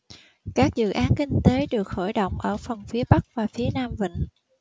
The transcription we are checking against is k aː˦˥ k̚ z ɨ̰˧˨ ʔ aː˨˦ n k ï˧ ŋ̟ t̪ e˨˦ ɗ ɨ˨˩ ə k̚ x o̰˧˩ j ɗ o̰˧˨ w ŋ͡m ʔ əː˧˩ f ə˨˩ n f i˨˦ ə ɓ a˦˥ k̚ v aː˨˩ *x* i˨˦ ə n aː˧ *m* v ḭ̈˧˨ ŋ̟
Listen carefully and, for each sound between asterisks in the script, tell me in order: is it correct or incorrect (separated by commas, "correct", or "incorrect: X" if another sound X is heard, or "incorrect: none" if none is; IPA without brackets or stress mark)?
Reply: incorrect: f, correct